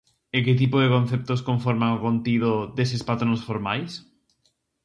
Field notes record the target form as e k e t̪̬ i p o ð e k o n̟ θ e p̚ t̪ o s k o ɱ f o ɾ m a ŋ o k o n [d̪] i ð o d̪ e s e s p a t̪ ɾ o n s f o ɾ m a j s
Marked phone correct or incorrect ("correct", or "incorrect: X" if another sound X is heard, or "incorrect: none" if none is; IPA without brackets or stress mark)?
incorrect: t̪